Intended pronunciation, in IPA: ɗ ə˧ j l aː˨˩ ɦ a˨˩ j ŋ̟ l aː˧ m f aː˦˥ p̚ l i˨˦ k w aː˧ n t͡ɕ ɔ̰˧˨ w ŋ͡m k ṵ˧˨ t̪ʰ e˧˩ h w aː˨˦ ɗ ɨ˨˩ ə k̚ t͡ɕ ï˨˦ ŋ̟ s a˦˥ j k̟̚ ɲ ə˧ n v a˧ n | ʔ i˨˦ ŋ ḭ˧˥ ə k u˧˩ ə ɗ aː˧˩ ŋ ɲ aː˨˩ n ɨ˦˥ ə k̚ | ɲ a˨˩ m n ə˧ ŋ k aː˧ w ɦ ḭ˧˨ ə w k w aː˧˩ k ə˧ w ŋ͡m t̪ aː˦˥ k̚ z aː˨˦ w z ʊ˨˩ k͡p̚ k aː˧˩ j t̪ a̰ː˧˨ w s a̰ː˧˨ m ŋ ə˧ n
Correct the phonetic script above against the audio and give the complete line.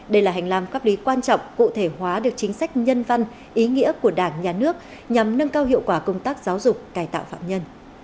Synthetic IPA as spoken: ɗ ə˧ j l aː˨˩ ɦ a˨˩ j ŋ̟ l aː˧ m f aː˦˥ p̚ l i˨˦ k w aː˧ n t͡ɕ ɔ̰˧˨ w ŋ͡m k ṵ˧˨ t̪ʰ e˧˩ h w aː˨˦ ɗ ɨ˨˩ ə k̚ t͡ɕ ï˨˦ ŋ̟ s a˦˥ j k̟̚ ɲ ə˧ n v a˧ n | ʔ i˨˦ ŋ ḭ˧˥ ə k u˧˩ ə ɗ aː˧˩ ŋ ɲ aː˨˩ n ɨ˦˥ ə k̚ | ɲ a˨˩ m n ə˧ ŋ k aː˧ w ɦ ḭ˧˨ ə w k w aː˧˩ k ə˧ w ŋ͡m t̪ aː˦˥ k̚ z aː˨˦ w z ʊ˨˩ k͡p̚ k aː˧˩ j t̪ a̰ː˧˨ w f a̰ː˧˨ m ɲ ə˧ n

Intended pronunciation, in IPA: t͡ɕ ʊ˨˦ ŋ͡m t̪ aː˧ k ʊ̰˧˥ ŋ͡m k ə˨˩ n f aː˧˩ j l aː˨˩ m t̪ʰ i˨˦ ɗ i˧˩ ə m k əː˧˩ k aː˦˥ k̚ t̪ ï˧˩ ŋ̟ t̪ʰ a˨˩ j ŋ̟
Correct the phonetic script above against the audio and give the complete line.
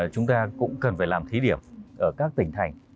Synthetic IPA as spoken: t͡ɕ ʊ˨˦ ŋ͡m t̪ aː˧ k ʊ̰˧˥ ŋ͡m k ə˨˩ n f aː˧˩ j l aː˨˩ m t̪ʰ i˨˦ ɗ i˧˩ ə m ʔ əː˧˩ k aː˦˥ k̚ t̪ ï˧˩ ŋ̟ t̪ʰ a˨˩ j ŋ̟

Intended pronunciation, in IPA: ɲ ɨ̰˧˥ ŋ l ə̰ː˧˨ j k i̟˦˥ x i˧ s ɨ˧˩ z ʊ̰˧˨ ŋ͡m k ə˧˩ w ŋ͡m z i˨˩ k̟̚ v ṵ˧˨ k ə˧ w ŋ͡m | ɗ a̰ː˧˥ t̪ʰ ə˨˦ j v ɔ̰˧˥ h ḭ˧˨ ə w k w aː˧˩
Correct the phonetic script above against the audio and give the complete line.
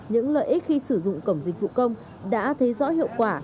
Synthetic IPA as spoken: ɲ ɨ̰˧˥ ŋ l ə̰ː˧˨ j ʔ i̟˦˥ x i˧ s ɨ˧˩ z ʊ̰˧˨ ŋ͡m k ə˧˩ w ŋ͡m z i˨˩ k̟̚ v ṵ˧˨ k ə˧ w ŋ͡m | ɗ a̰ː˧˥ t̪ʰ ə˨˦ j z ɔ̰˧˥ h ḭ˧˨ ə w k w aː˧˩

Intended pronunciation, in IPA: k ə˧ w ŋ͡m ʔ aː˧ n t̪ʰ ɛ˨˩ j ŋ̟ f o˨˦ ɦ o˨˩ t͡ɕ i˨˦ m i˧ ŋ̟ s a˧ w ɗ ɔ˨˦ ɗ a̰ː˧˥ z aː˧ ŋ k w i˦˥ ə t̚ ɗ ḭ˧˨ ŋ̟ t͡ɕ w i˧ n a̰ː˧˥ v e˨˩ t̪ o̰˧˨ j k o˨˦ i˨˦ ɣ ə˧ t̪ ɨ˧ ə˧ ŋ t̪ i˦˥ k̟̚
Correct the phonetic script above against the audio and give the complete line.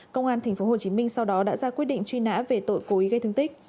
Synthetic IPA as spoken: k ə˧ w ŋ͡m ʔ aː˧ n t̪ʰ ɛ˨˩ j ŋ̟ f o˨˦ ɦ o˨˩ t͡ɕ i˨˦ m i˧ ŋ̟ s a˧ w ɗ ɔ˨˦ ɗ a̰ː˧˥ z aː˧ k w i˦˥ ə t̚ ɗ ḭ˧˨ ŋ̟ t͡ɕ w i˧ n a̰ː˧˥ v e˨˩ t̪ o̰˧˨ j k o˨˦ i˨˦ ɣ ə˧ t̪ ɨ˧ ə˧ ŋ t̪ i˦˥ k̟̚

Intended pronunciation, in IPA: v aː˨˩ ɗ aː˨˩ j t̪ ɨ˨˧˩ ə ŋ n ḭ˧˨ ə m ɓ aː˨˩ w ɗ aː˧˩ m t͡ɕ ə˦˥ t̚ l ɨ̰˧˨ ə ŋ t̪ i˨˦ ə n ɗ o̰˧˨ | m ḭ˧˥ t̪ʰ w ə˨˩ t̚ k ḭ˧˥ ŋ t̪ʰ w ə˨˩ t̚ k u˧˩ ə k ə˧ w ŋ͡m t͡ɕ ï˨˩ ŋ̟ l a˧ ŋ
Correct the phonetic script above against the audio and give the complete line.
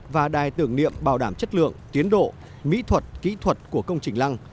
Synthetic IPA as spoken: v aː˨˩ ɗ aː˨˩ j t̪ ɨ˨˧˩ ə ŋ n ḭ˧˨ ə m ɓ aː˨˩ w ɗ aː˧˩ m t͡ɕ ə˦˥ t̚ l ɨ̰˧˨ ə ŋ t̪ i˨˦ ə n ɗ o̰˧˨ | m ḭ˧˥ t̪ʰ w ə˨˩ t̚ k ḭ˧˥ t̪ʰ w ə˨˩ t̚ k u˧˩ ə k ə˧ w ŋ͡m t͡ɕ ï˨˩ ŋ̟ l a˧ ŋ

